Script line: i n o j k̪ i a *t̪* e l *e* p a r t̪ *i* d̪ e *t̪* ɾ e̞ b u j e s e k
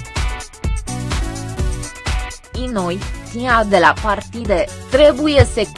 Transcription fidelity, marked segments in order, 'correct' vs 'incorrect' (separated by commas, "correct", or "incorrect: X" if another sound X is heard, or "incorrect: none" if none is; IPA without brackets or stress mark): incorrect: d̪, incorrect: a, correct, correct